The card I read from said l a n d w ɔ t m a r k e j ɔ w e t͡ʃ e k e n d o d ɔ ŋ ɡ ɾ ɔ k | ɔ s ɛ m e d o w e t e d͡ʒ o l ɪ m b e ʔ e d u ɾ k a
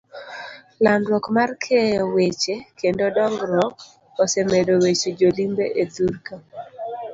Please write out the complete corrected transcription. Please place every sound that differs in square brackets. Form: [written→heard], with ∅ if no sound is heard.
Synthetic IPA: l a n d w ɔ [t→k] m a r [k→kʰ] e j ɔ w e t͡ʃ e k e n d o d ɔ ŋ ɡ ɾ ɔ k | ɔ s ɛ m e d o w e [t→t͡ʃ] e d͡ʒ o l [ɪ→i] m b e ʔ e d u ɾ k a